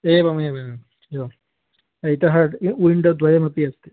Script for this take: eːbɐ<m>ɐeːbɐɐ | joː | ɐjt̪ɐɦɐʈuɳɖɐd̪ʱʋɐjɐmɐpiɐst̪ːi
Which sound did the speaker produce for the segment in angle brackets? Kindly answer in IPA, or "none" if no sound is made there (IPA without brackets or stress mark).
m